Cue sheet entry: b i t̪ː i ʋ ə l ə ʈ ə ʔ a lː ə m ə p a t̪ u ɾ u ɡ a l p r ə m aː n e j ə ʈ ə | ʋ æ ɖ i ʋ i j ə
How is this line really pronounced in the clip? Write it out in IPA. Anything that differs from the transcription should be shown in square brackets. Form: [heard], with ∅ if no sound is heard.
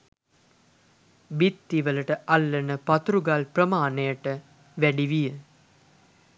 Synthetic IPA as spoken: b i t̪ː i ʋ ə l ə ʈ ə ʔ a lː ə [n] ə p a t̪ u ɾ u ɡ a l p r ə m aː n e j ə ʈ ə | ʋ æ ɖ i ʋ i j ə